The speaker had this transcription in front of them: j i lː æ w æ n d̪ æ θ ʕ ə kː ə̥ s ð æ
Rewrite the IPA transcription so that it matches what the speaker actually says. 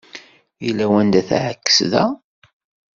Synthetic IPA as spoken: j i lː æ w æ n d̪ æ θ ʕ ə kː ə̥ s ð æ